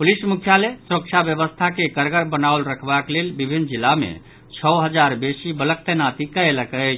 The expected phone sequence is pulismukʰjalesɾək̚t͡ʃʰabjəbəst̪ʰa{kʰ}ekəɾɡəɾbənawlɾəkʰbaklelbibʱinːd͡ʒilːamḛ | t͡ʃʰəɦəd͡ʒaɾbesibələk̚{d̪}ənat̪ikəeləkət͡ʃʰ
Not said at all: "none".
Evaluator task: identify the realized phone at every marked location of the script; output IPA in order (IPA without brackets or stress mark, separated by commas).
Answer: k, t̪